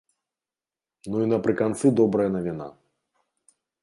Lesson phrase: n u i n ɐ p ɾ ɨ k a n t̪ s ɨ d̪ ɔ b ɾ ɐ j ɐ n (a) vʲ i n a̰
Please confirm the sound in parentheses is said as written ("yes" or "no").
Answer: no